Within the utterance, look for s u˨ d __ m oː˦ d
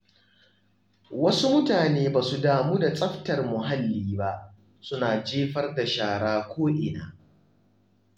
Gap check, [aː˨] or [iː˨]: aː˨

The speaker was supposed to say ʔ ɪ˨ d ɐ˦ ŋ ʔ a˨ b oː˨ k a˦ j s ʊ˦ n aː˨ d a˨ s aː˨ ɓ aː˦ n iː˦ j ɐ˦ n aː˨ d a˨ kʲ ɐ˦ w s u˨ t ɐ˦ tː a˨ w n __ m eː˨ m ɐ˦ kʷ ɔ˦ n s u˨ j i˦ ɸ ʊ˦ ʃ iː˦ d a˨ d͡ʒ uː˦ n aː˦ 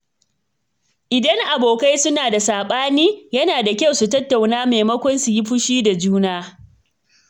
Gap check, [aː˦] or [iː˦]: aː˦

